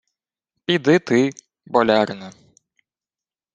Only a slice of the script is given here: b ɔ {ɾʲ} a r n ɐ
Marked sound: incorrect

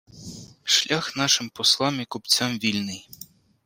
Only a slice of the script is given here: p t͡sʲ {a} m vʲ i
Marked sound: correct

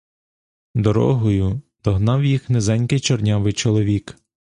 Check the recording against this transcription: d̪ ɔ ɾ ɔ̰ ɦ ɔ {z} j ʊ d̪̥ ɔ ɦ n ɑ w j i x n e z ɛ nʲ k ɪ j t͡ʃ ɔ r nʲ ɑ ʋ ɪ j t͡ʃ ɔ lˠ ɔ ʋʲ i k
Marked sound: incorrect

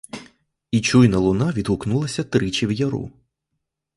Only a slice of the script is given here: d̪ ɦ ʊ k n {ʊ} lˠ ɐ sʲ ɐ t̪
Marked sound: incorrect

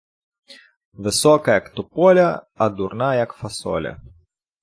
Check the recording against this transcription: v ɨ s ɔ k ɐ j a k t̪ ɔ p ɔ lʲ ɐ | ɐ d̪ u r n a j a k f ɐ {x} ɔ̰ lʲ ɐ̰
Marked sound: incorrect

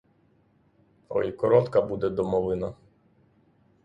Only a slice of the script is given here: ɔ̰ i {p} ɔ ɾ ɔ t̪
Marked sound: incorrect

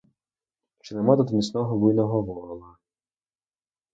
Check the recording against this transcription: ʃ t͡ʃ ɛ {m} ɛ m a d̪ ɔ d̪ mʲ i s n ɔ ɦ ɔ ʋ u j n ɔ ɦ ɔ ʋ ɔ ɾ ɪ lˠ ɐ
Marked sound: incorrect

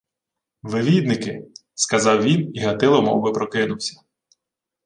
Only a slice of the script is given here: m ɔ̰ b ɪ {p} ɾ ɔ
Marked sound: correct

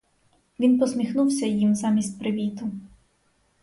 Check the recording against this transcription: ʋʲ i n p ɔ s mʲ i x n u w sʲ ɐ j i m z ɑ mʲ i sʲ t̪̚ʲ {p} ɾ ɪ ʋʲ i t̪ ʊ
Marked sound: correct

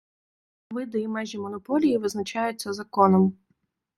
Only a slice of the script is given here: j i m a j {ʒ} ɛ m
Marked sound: correct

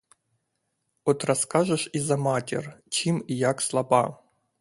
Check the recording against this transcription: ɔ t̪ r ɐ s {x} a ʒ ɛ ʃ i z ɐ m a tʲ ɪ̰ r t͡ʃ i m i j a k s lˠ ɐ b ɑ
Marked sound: incorrect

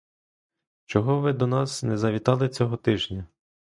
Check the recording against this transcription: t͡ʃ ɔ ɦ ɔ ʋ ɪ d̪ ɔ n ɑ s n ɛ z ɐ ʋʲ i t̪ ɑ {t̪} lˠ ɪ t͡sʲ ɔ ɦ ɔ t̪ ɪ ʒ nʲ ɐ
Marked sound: incorrect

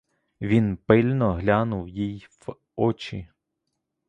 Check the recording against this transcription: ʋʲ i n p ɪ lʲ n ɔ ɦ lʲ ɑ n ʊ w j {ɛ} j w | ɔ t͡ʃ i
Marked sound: incorrect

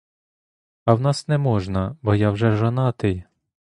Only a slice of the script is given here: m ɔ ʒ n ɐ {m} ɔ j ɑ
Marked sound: incorrect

